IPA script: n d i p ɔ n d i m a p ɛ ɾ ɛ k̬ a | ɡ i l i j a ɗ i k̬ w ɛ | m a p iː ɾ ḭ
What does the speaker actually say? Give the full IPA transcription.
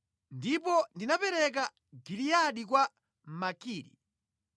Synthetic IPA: n d i p ɔ n d i n a p ɛ ɾ ɛ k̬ a | ɡ i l i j a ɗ i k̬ w a | m a k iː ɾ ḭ